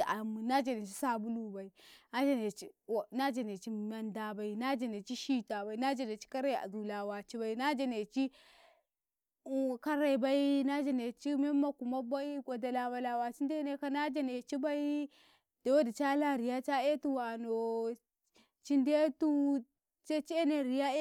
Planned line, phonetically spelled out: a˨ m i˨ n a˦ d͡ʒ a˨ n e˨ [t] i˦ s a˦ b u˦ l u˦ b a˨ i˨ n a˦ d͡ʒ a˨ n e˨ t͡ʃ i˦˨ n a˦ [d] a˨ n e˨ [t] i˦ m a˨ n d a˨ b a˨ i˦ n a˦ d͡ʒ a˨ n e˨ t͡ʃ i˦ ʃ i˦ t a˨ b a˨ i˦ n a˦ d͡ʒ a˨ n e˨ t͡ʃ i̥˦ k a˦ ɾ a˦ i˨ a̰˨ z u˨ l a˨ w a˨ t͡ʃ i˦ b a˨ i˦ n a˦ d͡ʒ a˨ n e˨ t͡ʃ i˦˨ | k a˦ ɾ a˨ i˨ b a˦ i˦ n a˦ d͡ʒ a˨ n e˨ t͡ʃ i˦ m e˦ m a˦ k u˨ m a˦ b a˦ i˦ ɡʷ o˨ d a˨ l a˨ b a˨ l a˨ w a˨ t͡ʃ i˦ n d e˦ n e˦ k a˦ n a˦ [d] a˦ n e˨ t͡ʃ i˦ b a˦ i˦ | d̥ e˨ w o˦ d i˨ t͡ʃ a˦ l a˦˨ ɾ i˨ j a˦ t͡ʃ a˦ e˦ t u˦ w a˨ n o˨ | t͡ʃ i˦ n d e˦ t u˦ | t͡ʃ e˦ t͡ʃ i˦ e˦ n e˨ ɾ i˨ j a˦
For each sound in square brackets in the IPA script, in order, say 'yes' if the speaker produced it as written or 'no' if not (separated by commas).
no, no, no, no